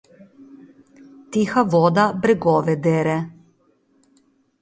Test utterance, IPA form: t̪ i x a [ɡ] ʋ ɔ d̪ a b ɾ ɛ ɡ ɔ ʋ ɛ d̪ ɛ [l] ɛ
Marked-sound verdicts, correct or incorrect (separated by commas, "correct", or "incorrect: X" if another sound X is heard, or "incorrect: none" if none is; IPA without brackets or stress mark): incorrect: none, incorrect: ɾ